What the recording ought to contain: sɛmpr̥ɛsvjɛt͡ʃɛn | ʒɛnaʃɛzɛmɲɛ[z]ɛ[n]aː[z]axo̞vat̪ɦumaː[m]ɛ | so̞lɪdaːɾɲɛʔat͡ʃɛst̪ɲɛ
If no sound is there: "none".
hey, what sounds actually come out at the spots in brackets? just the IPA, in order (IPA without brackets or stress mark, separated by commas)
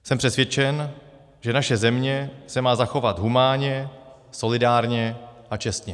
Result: s, m, z, ɲ